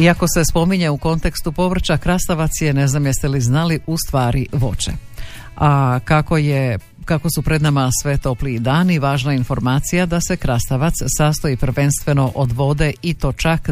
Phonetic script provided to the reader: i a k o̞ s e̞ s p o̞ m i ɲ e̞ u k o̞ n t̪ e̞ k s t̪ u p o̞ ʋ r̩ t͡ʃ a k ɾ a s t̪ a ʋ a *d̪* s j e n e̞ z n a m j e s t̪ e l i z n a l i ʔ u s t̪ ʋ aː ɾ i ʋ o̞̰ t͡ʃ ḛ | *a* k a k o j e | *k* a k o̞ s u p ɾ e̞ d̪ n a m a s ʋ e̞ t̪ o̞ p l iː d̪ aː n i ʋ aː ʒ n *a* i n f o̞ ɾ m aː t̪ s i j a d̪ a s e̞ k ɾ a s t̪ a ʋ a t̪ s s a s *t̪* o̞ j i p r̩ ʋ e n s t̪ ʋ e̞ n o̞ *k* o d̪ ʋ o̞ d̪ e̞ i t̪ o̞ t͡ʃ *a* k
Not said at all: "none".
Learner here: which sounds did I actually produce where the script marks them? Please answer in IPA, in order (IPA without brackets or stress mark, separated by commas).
t̪, a, k, a, t̪, ʔ, a